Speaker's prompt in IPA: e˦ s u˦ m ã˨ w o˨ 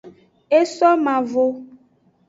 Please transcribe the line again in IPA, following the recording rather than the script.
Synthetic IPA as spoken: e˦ s ɔ˦ m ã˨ v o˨